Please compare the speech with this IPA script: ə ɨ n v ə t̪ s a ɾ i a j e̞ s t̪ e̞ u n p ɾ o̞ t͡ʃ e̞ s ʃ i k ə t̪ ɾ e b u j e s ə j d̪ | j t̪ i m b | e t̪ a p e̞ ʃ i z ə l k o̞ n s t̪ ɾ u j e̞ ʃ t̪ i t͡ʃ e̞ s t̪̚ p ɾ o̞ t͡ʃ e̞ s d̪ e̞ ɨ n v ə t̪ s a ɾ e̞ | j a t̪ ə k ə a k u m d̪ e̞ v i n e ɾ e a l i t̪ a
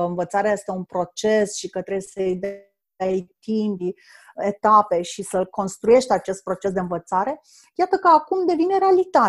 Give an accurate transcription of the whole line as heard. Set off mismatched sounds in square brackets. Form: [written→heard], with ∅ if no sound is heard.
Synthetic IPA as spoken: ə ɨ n v ə t̪ s a ɾ [i→e] a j e̞ s t̪ e̞ u n p ɾ o̞ t͡ʃ e̞ s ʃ i k ə t̪ ɾ e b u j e s ə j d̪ | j t̪ i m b | e t̪ a p e̞ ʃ i [z→s] ə l k o̞ n s t̪ ɾ u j e̞ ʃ t̪ [i→a] t͡ʃ e̞ s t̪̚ p ɾ o̞ t͡ʃ e̞ s d̪ e̞ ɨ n v ə t̪ s a ɾ e̞ | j a t̪ ə k ə a k u m d̪ e̞ v i n e ɾ e a l i t̪ a